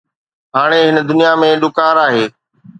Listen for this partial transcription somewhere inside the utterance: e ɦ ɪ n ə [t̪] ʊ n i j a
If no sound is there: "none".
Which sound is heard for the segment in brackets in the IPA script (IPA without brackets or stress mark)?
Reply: d̪